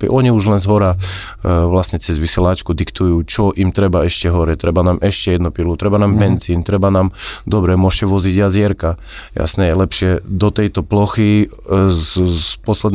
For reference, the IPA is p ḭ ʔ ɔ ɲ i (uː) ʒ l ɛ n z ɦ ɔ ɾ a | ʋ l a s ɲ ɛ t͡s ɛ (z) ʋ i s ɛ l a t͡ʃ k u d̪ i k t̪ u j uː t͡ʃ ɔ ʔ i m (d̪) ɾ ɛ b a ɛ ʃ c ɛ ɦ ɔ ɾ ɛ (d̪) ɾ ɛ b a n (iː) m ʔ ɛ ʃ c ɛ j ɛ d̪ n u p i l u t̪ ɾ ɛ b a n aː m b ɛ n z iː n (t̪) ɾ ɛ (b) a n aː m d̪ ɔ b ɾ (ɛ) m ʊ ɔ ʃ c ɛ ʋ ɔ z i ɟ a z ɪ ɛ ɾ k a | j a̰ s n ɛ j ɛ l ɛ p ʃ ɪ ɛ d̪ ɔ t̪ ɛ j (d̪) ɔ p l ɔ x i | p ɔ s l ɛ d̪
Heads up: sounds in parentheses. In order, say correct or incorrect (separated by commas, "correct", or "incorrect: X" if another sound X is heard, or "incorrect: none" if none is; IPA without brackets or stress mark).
incorrect: u, correct, incorrect: t̪, incorrect: t̪, incorrect: aː, correct, correct, correct, incorrect: t̪